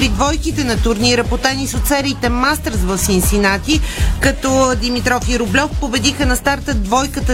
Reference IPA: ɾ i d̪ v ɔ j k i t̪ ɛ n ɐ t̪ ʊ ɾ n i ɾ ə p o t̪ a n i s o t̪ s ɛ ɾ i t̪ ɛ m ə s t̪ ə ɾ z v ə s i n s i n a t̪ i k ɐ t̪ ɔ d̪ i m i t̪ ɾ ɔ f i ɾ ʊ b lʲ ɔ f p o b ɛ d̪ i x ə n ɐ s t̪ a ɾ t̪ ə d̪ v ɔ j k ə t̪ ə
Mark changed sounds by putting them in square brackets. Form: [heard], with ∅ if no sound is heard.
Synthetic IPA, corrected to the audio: ɾ i d̪ v ɔ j k i t̪ ɛ n ɐ t̪ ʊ ɾ n i ɾ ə p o t̪ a n i s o t̪ s ɛ ɾ i t̪ ɛ m [a] s t̪ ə ɾ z v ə s i n s i n a t̪ i k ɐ t̪ ɔ d̪ i m i t̪ ɾ ɔ f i ɾ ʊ b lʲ ɔ f p o b ɛ d̪ i x ə n ɐ s t̪ a ɾ t̪ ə d̪ v ɔ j k ə t̪ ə